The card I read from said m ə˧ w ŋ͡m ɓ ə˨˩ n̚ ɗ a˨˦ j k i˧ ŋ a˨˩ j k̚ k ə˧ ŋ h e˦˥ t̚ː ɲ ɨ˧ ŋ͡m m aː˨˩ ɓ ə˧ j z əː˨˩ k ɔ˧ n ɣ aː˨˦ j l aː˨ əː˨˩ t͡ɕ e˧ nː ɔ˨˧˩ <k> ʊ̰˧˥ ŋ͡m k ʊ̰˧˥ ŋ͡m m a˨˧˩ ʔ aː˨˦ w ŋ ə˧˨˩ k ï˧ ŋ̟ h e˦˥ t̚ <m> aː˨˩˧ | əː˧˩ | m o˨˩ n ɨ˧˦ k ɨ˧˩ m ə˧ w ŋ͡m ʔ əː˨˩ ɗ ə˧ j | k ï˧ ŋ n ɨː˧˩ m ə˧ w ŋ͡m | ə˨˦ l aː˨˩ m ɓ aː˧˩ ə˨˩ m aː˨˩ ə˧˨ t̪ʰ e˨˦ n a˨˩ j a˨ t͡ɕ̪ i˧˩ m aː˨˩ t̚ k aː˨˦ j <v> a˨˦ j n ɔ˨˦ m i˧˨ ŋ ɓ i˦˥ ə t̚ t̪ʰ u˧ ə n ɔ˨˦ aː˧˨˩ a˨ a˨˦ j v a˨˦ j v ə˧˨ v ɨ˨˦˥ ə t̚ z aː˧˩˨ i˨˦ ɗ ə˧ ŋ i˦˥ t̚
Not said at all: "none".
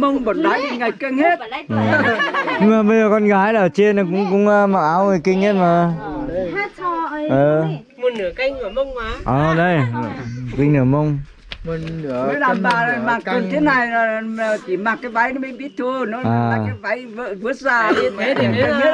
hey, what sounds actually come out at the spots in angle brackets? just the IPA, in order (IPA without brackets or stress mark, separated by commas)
k, m, v